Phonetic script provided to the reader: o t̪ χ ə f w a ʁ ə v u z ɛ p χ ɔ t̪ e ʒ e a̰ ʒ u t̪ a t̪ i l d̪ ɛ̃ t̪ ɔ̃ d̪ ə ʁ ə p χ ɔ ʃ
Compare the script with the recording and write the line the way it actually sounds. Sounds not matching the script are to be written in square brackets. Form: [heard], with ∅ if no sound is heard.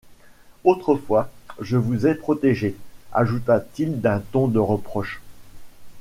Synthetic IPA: o t̪ χ ə f w a [ʒ] ə v u z ɛ p χ ɔ t̪ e ʒ e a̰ ʒ u t̪ a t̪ i l d̪ ɛ̃ t̪ ɔ̃ d̪ ə ʁ ə p χ ɔ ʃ

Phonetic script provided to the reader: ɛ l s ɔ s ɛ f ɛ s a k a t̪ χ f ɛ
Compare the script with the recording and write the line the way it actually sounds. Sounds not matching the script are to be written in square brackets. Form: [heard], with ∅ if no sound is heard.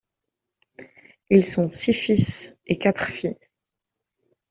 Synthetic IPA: [i] l s [ɔ̃] s [i] f [i] s [e] k a t̪ χ f [i]

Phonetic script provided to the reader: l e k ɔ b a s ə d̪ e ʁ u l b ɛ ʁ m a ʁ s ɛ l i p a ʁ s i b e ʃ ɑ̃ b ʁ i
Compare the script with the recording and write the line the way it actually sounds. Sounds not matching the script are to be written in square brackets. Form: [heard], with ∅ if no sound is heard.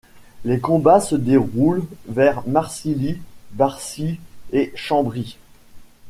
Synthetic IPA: l e k [ɔ̃] b a s ə d̪ e ʁ u l [v] ɛ ʁ m a ʁ s [i] l i [b] a ʁ s i [∅] e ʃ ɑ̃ b ʁ i

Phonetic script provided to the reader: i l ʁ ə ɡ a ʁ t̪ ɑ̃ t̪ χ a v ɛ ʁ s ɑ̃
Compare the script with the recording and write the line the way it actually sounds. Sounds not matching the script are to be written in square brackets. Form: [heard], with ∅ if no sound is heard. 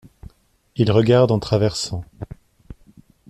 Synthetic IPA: i l ʁ ə ɡ a ʁ [d̪] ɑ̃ t̪ χ a v ɛ ʁ s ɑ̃

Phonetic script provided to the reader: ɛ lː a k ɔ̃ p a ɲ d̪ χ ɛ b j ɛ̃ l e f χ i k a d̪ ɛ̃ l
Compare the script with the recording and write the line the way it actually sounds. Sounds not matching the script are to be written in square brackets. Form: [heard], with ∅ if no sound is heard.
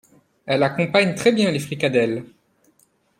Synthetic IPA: ɛ [l] a k ɔ̃ p a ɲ [t̪] χ ɛ b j ɛ̃ l e f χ i k a d̪ [ɛ] l

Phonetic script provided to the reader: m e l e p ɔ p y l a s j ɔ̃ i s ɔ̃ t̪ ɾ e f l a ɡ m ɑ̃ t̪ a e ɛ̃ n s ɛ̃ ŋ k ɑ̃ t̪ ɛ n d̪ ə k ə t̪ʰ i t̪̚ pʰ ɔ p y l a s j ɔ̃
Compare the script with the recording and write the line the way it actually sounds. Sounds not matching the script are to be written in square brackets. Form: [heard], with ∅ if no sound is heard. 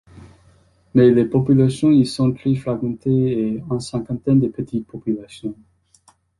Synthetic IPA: m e l e p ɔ p y l a s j ɔ̃ i s ɔ̃ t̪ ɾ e f l a ɡ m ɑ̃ t̪ [e] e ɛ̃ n s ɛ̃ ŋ k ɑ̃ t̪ ɛ n d̪ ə [p] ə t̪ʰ i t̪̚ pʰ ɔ p y l a s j ɔ̃

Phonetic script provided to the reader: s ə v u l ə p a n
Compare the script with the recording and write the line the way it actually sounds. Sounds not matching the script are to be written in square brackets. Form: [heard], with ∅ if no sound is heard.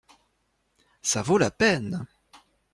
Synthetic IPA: s [a] v [o] l [a] p [ɛ] n

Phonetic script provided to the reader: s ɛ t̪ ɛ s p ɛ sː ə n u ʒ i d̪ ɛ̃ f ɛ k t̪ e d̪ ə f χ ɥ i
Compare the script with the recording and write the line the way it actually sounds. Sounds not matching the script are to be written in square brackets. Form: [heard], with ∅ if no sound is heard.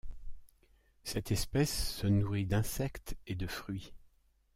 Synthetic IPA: s ɛ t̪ ɛ s p ɛ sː ə n u [ʁ] i d̪ ɛ̃ [s] ɛ k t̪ e d̪ ə f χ ɥ i

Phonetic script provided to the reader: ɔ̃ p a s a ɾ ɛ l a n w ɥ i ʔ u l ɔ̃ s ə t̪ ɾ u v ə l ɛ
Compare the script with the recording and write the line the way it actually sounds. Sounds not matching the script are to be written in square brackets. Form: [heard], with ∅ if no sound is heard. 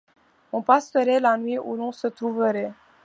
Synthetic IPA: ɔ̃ p a s [ə] ɾ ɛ l a n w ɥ i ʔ u l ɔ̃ s ə t̪ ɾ u v ə [ɾ] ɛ

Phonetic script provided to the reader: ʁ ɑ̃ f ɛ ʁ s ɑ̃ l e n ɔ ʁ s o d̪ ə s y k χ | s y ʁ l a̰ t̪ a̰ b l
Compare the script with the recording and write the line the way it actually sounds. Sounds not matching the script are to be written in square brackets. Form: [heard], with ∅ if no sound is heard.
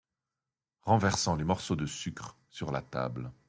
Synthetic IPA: ʁ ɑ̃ [v] ɛ ʁ s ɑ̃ l e [m] ɔ ʁ s o d̪ ə s y k χ | s y ʁ l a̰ t̪ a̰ b l

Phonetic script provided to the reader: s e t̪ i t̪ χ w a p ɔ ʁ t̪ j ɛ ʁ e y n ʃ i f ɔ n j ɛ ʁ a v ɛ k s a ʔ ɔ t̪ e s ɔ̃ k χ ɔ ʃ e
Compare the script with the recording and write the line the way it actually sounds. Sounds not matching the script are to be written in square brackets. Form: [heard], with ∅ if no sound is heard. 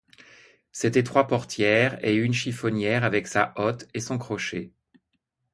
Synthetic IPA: s e t̪ [ɛ] t̪ χ w a p ɔ ʁ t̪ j ɛ ʁ e y n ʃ i f ɔ n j ɛ ʁ a v ɛ k s a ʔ ɔ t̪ e s ɔ̃ k χ ɔ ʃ e

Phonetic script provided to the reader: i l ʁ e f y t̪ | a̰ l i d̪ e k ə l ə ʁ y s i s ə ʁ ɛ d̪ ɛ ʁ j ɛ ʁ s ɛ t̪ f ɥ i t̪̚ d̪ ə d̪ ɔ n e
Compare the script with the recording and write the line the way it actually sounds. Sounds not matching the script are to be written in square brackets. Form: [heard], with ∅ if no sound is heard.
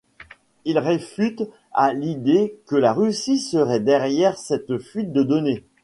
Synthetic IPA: i l ʁ e f y t̪ | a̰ l i d̪ e k ə l [a] ʁ y s i s ə ʁ ɛ d̪ ɛ ʁ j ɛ ʁ s ɛ t̪ f ɥ i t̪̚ d̪ ə d̪ ɔ n e

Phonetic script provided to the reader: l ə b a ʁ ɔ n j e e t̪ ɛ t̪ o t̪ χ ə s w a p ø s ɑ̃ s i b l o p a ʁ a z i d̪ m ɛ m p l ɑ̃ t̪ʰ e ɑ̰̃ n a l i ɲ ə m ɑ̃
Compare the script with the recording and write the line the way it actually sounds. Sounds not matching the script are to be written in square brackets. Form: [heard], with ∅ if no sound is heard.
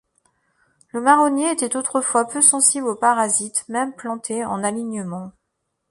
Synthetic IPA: l ə [m] a ʁ ɔ n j e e t̪ ɛ t̪ o t̪ χ ə [f] w a p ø s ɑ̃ s i b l o p a ʁ a z i [t̪] m ɛ m p l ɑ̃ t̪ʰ e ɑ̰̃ n a l i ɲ ə m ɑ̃

